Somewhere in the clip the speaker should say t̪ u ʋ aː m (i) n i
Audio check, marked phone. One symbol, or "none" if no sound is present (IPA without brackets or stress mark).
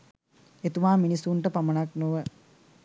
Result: i